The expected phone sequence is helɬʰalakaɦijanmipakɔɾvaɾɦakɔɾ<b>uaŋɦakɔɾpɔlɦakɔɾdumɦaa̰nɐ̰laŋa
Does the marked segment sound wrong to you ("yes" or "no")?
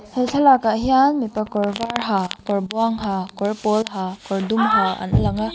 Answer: no